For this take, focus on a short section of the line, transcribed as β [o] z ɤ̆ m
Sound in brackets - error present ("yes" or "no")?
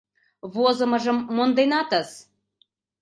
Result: no